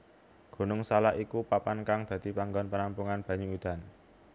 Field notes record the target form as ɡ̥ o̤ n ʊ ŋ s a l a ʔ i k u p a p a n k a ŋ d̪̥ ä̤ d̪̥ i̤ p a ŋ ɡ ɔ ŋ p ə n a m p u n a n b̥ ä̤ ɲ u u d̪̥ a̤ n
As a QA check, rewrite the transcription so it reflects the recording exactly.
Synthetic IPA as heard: ɡ̥ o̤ n ʊ ŋ s a l a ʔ i k u p a p a n k a ŋ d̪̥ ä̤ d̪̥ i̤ p a ŋ ɡ ɔ n p ə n a m p u ŋ a n b̥ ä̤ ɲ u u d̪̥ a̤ n